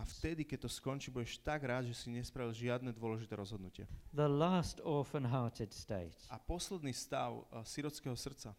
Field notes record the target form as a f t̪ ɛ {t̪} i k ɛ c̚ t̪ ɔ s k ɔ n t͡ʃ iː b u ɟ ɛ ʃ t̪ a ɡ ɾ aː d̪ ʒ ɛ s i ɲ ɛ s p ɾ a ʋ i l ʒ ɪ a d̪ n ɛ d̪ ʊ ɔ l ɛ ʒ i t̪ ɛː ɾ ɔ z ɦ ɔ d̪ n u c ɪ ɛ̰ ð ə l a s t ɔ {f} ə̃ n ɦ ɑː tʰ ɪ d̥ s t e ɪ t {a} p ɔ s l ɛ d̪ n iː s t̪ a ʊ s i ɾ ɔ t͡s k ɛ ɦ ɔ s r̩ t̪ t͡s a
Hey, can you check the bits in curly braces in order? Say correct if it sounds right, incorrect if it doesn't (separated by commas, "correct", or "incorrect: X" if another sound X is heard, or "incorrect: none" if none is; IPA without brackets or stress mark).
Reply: incorrect: d̪, correct, correct